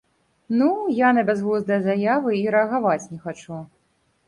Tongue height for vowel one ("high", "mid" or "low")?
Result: high